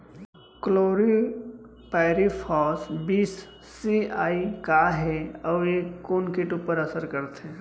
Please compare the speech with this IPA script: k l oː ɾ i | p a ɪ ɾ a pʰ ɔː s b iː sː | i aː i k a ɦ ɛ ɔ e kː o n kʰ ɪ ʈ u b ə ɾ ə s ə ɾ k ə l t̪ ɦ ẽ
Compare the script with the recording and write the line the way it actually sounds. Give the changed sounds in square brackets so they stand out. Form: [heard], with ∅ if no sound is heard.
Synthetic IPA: k l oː ɾ i | p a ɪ ɾ [i] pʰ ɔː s b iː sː | i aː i k a ɦ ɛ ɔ e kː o n [k] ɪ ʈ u [p] ə ɾ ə s ə ɾ k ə [ɾ] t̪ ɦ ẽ

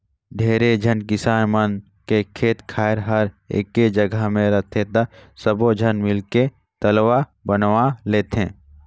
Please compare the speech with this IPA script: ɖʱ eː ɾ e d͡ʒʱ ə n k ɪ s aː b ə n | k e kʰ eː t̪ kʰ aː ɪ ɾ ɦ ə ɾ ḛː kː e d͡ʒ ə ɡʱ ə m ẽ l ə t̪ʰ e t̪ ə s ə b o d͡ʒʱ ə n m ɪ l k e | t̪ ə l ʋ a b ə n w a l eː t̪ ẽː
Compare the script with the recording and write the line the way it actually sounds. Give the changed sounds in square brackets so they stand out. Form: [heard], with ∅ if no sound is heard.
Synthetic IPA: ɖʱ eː ɾ e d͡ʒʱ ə n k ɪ s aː [m] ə n | k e kʰ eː t̪ kʰ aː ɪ ɾ ɦ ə ɾ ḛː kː e d͡ʒ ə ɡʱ ə m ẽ [ɾ] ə t̪ʰ e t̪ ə s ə b o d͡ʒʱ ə n m ɪ l k e | t̪ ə l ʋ a b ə n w a l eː t̪ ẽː

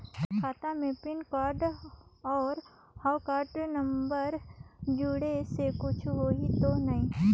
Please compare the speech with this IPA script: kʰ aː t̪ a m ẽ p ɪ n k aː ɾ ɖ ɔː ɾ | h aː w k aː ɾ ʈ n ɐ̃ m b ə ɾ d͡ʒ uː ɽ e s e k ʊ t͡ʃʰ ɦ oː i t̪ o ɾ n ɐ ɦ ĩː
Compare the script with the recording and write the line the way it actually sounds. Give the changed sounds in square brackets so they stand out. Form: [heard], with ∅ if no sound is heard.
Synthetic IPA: kʰ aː t̪ a m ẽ p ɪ n k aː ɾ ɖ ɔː ɾ | h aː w k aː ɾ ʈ n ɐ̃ m b ə ɾ d͡ʒ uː ɽ e s e k ʊ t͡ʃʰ ɦ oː i t̪ o [∅] n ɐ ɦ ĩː

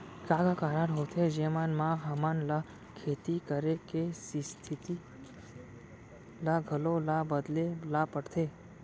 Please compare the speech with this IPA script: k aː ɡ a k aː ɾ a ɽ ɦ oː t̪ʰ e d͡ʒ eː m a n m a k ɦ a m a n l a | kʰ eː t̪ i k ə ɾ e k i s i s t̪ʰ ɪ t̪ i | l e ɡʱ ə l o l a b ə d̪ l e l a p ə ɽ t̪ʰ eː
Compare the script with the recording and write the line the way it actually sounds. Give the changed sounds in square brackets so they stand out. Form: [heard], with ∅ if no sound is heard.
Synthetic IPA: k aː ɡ a k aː ɾ a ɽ ɦ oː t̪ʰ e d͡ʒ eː m a n m a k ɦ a m a n l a | kʰ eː t̪ i k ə ɾ e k [e] s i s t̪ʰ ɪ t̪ i | l [a] ɡʱ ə l o l a b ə d̪ l e l a p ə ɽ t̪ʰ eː

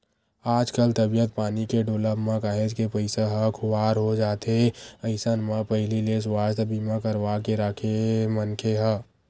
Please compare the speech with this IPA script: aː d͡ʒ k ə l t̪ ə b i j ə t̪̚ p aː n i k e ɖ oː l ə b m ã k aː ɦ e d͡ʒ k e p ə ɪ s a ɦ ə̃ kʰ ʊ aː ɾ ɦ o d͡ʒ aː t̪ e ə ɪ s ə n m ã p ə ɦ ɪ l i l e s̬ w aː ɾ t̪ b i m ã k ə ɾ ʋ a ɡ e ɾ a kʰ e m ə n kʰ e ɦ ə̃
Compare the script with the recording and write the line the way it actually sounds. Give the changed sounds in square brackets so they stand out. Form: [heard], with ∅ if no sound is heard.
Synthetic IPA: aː d͡ʒ k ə l t̪ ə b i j ə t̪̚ p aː n i k e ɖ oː l ə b m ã k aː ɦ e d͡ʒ k e p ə ɪ s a ɦ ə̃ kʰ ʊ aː ɾ ɦ o d͡ʒ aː t̪ e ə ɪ s ə n m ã p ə ɦ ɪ l i l e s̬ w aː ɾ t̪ b i m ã k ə ɾ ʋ a [k] e ɾ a kʰ e m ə n kʰ e ɦ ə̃

